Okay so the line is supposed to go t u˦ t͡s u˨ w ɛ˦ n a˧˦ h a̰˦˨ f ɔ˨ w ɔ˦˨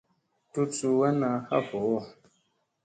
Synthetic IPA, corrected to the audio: t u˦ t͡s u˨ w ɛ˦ n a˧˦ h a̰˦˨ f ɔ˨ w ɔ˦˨